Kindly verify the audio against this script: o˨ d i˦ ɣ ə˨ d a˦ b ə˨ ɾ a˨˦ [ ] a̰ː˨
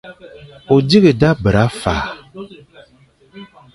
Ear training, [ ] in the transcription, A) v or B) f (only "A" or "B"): B